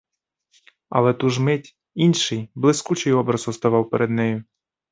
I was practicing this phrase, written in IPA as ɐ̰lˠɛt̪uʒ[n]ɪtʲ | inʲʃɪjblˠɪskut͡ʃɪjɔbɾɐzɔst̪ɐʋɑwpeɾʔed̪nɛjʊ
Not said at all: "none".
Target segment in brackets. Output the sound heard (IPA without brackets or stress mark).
m